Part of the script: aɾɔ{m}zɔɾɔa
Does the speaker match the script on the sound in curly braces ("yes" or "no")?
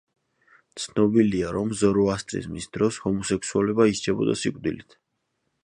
yes